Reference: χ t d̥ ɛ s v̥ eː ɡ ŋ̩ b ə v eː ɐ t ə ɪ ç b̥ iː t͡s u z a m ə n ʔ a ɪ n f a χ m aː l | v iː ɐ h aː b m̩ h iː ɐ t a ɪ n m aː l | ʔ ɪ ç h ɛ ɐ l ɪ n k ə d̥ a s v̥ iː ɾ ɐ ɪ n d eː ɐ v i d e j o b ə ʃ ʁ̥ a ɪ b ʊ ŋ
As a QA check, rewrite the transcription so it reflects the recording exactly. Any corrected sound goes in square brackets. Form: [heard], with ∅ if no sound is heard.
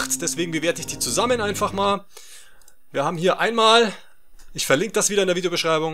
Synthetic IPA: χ t d̥ ɛ s v̥ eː ɡ ŋ̩ b ə v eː ɐ t ə ɪ ç [d̥] iː t͡s u z a m ə n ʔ a ɪ n f a χ m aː l | v iː ɐ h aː b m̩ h iː ɐ [ʔ] a ɪ n m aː l | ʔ ɪ ç [f] ɛ ɐ l ɪ [ŋ] k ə d̥ a s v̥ iː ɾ ɐ ɪ n d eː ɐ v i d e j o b ə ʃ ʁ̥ a ɪ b ʊ ŋ